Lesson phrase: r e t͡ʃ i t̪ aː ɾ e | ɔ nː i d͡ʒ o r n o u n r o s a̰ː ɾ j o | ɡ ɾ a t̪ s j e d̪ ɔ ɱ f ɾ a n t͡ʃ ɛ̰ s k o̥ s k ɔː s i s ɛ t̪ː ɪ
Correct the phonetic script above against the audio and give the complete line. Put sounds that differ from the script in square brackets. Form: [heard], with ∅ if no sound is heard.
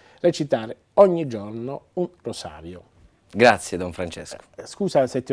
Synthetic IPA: r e t͡ʃ i t̪ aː ɾ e | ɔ [ɲː] i d͡ʒ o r n o u n r o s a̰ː ɾ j o | ɡ ɾ a t̪ s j e d̪ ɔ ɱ f ɾ a n t͡ʃ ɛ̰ s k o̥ s k [uː] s [a] s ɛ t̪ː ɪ